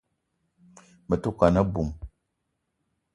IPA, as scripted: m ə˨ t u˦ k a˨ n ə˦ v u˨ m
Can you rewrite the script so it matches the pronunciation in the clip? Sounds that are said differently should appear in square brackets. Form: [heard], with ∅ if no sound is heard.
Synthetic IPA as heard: m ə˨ t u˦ k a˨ n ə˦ [b] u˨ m